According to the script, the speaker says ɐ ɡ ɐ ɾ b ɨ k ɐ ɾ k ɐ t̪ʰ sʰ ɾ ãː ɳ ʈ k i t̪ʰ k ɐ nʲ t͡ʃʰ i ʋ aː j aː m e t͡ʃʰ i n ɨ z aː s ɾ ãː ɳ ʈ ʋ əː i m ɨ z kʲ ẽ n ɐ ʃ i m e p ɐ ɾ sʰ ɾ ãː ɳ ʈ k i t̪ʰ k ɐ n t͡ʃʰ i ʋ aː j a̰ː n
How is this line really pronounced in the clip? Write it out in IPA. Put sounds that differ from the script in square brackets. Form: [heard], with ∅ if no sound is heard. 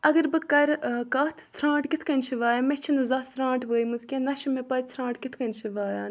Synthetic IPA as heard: ɐ ɡ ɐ ɾ b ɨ k ɐ ɾ k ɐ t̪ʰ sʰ ɾ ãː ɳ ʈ k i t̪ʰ k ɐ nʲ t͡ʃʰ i ʋ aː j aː m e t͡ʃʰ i n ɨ z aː s ɾ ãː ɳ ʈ ʋ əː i m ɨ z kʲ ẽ n ɐ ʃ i m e p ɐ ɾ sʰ ɾ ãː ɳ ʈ k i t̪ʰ k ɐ n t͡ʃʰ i ʋ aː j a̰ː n